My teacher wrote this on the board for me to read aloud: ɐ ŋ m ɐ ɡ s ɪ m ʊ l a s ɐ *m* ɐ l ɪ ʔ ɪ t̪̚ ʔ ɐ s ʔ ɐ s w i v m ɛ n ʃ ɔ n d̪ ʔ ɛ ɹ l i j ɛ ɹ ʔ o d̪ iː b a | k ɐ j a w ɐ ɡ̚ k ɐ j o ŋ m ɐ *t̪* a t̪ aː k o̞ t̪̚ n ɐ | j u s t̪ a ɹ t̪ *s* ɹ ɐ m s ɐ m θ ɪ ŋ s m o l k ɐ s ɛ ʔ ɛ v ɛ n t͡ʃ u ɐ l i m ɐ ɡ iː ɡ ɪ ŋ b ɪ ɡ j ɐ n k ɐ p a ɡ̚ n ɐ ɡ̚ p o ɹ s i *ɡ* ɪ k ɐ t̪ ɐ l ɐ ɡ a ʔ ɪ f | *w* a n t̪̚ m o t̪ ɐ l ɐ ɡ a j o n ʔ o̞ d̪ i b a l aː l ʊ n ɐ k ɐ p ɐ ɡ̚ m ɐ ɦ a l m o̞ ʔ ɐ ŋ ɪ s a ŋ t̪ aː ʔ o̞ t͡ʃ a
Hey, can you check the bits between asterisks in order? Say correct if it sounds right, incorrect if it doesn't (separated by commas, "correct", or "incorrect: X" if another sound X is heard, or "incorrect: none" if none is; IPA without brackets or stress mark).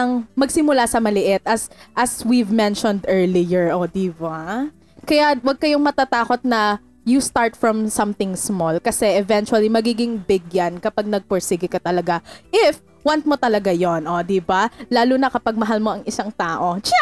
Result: correct, correct, incorrect: f, correct, correct